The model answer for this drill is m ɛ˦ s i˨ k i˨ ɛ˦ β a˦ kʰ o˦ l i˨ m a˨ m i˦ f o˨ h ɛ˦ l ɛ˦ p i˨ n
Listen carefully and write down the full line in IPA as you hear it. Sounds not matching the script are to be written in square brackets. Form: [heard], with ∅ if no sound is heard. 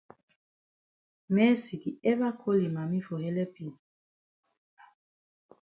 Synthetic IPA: m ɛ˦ s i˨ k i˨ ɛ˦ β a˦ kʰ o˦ l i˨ m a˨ m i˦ f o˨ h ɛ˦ l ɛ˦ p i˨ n